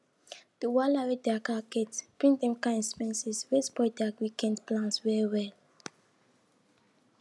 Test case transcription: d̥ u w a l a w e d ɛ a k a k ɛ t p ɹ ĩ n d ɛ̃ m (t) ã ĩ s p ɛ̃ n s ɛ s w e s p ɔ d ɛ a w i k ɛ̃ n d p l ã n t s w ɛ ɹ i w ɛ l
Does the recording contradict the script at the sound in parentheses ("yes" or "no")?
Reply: yes